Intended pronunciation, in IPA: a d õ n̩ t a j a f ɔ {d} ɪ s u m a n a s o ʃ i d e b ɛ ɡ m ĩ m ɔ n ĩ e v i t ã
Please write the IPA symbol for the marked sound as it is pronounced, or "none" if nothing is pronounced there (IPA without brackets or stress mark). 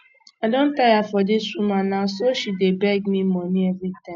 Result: d